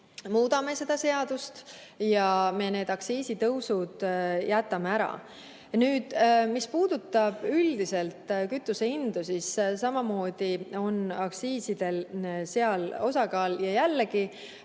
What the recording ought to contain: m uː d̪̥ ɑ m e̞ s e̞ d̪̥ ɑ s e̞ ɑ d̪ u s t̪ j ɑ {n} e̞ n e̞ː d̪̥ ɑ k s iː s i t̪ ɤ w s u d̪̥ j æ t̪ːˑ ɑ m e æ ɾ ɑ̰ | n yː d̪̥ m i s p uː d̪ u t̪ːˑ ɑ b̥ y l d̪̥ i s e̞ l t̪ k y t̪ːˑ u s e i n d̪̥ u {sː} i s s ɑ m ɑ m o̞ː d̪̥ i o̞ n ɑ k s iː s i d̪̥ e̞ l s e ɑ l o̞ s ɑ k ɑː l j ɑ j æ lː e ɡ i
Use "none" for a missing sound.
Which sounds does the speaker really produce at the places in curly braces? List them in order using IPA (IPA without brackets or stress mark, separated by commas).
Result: m, s